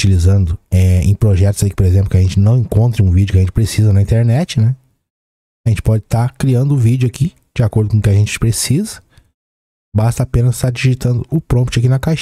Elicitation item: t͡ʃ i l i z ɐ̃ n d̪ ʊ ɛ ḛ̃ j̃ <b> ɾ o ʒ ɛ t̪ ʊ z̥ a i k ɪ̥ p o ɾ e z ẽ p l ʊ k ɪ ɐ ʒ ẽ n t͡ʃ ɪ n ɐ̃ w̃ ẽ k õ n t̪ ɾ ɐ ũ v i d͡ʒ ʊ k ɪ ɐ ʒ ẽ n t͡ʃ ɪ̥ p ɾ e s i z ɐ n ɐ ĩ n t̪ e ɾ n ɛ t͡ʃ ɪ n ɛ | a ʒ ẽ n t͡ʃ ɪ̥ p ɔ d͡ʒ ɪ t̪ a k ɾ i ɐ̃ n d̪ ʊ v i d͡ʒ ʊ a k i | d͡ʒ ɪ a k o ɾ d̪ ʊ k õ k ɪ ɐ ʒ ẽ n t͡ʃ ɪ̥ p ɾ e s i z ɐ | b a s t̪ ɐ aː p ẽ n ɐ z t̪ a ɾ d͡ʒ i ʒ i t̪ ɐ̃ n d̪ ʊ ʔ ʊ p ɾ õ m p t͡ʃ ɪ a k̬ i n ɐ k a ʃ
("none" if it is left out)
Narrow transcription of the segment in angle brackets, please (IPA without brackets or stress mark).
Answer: p